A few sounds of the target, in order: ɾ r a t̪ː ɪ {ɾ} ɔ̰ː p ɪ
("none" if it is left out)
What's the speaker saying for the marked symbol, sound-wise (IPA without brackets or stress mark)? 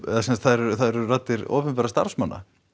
ɾ